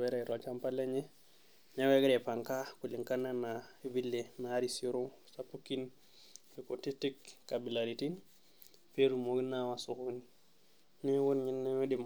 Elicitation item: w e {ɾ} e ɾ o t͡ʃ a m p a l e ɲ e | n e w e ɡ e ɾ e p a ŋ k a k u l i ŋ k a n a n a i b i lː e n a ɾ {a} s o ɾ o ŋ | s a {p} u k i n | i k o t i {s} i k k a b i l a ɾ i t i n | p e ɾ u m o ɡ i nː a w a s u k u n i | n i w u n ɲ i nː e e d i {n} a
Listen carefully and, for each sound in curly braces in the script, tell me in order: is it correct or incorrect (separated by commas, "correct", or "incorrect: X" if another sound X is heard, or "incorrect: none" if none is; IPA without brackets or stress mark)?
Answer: correct, incorrect: i, correct, incorrect: t, incorrect: m